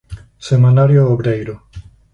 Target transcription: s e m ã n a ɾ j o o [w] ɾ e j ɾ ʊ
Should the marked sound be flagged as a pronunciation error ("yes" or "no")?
yes